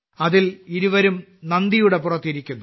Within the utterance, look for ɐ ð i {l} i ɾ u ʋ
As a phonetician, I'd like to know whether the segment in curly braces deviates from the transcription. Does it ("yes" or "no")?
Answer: no